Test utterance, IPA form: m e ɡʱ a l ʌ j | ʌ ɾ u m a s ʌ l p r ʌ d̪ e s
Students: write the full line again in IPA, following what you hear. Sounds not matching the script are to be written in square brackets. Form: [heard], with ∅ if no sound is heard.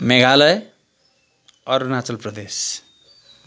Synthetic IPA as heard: m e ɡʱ a l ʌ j | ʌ ɾ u [n] a [t͡s] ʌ l p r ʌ d̪ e s